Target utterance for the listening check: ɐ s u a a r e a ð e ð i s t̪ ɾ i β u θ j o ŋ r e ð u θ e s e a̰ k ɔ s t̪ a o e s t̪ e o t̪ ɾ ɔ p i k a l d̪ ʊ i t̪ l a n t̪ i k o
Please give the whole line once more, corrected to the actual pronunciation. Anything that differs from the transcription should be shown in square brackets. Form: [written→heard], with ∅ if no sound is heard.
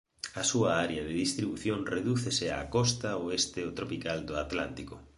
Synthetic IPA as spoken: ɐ s u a a [r→ɾ] e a ð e ð i s t̪ ɾ i β u θ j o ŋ r e ð u θ e s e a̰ k ɔ s t̪ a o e s t̪ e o t̪ ɾ [ɔ→o] p i k a l d̪ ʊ [i→a] t̪ l a n t̪ i k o